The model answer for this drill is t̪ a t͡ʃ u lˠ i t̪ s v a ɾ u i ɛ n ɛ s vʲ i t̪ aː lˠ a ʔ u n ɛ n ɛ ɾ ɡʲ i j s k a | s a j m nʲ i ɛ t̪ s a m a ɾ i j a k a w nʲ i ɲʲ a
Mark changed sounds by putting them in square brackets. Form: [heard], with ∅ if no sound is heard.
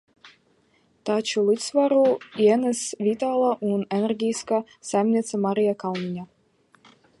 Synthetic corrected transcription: t̪ a t͡ʃ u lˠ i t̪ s v a ɾ u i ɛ n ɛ s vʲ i t̪ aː lˠ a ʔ u n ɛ n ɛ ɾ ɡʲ i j s k a | s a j m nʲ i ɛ t̪ s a m a ɾ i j a k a w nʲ i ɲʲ a